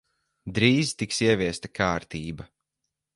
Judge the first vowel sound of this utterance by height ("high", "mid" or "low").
high